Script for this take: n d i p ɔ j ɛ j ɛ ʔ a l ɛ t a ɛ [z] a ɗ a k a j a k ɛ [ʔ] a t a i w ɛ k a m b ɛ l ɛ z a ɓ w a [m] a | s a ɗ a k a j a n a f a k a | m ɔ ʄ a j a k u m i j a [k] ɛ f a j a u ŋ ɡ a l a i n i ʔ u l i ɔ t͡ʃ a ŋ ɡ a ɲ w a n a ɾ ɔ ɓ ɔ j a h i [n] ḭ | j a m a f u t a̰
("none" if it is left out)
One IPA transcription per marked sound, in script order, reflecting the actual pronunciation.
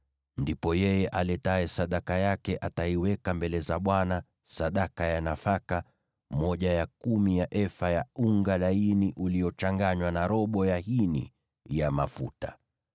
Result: s, ʔ, n, ʔ, n

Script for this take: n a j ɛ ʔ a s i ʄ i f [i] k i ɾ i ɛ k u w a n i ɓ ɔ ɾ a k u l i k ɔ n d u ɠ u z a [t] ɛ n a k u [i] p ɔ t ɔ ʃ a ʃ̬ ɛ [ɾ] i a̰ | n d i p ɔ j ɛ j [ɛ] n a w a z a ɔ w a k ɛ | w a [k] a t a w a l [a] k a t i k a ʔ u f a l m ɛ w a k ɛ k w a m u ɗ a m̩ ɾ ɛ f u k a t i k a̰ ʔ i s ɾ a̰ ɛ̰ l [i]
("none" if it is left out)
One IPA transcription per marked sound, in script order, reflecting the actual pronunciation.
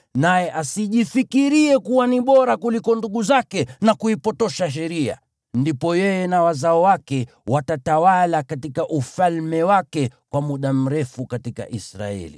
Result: i, k, i, ɾ, ɛ, t, a, i

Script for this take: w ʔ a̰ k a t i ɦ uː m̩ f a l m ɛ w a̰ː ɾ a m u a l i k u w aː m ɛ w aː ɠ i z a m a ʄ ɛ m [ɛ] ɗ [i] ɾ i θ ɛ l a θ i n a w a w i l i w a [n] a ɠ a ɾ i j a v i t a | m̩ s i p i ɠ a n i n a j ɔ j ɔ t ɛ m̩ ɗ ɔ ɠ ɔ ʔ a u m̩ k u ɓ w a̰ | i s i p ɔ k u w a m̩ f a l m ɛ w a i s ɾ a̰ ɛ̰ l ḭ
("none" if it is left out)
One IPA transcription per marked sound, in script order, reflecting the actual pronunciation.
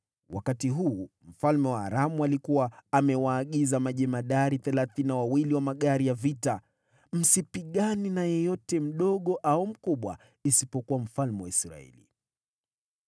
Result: a, a, m

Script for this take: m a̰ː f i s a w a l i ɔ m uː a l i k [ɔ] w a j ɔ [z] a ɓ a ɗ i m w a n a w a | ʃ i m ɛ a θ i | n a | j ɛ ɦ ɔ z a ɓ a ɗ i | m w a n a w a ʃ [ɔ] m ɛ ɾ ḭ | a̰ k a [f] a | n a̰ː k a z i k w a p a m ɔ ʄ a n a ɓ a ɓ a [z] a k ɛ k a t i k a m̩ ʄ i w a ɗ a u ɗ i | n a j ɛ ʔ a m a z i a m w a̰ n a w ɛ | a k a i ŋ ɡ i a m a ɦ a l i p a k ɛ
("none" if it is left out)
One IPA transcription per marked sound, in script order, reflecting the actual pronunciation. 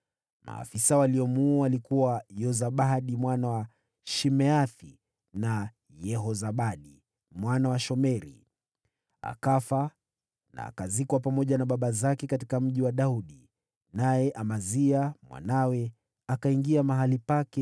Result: u, z, ɔ, f, z

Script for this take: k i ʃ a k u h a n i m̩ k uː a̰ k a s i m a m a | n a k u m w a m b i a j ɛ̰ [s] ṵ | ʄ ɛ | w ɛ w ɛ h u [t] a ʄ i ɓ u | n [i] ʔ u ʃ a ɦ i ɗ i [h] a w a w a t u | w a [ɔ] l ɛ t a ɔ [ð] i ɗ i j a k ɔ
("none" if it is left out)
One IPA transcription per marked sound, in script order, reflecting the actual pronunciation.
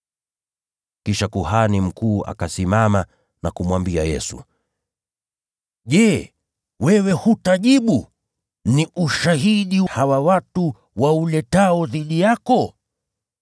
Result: s, t, i, h, u, ð

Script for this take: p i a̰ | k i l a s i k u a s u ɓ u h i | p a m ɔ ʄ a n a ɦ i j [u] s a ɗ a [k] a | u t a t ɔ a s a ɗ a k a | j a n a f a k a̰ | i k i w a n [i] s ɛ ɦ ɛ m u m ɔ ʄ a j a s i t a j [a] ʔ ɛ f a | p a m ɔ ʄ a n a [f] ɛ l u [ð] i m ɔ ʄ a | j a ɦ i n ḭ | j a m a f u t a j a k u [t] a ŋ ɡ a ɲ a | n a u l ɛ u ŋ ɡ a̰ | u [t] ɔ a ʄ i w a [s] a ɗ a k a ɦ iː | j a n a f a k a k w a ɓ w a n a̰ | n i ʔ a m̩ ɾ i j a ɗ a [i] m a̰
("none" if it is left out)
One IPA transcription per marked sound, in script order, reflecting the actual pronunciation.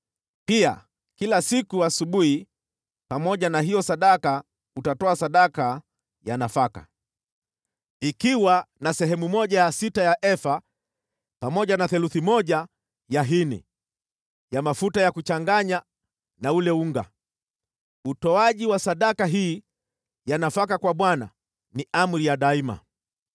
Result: ɔ, k, a, a, θ, θ, t͡ʃ, t, s, i

